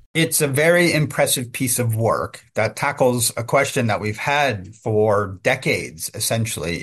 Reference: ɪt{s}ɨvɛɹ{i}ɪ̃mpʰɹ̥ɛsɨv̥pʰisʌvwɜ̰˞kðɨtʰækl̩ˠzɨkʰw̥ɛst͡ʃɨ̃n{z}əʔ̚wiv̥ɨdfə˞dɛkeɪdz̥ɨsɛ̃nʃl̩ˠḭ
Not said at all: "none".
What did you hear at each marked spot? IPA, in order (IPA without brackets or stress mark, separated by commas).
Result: s, i, ð